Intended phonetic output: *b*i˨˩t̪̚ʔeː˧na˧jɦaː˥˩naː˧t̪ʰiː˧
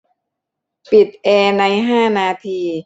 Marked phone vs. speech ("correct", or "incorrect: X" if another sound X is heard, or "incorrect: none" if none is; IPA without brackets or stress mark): incorrect: p